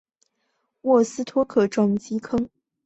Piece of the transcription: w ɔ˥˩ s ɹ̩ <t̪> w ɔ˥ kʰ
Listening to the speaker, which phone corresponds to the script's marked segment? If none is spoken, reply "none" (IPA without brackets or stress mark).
t̪ʰ